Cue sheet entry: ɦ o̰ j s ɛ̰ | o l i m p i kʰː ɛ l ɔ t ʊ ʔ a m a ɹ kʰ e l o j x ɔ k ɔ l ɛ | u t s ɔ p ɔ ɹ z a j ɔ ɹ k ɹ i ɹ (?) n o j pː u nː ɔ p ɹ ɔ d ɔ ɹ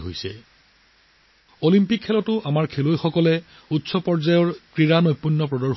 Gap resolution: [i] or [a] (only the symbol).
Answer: a